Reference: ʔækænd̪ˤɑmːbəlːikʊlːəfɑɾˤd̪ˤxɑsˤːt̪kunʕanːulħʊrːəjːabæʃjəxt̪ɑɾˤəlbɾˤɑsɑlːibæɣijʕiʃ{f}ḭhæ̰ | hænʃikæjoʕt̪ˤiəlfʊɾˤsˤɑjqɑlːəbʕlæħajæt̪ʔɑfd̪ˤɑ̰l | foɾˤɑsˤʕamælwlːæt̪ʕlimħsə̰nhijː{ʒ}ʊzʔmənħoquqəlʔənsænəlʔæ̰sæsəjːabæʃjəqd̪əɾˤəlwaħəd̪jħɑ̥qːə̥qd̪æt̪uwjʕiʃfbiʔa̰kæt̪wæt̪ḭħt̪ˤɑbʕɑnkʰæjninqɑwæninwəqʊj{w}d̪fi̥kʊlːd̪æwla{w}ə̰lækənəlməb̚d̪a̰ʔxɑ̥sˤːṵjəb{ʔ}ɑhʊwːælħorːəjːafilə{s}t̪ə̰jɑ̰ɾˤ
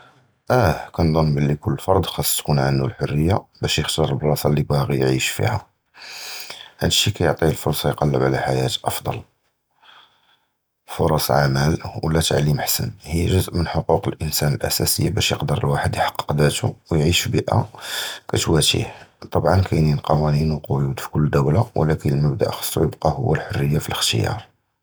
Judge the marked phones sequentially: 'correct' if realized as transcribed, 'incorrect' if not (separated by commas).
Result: correct, correct, incorrect, correct, incorrect, incorrect